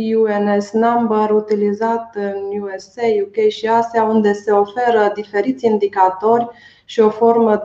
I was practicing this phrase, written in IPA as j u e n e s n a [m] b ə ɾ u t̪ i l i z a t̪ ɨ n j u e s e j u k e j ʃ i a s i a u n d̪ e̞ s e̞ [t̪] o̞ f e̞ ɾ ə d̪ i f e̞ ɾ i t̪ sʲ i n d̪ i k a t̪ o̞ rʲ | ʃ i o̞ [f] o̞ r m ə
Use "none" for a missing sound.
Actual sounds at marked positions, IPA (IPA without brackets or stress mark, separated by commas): m, none, f